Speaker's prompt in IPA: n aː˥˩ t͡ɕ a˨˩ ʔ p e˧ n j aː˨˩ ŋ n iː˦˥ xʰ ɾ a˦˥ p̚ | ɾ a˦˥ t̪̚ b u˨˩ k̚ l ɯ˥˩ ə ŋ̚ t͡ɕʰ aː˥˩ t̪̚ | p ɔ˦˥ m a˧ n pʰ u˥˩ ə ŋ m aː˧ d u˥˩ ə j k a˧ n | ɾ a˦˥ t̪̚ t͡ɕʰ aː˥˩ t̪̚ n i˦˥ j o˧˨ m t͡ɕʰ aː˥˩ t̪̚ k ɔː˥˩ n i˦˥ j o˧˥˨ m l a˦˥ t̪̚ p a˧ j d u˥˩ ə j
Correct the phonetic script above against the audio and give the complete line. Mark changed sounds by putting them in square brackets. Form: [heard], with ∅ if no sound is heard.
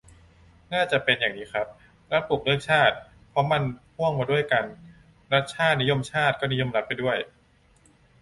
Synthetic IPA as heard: n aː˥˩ t͡ɕ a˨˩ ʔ p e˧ n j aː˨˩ ŋ n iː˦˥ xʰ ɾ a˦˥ p̚ | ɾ a˦˥ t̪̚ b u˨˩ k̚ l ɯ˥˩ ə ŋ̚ t͡ɕʰ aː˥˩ t̪̚ | [pʰ] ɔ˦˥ m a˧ n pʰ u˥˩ ə ŋ m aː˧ d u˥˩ ə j k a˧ n | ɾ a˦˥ t̪̚ t͡ɕʰ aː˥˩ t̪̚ n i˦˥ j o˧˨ m t͡ɕʰ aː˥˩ t̪̚ k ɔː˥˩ n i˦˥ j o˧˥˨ m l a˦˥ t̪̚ p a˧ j d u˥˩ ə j